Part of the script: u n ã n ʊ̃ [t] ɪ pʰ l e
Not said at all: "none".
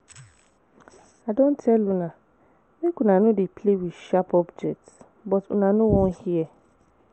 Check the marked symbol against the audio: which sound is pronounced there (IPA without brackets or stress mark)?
d